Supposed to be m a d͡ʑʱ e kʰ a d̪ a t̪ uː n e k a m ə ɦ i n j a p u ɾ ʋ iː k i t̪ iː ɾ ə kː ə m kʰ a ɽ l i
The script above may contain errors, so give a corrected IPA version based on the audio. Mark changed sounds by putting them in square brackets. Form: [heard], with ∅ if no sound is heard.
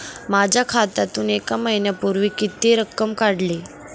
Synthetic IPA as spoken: m a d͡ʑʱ [a] kʰ a [t̪] a t̪ uː n e k a m ə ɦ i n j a p u ɾ ʋ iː k i t̪ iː ɾ ə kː ə m [k] a ɽ l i